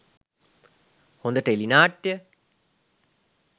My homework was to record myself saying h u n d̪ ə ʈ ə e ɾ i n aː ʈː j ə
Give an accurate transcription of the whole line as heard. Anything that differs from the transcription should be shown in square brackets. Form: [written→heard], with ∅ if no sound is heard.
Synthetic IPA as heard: h [u→o] n d̪ ə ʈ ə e [ɾ→l] i n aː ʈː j ə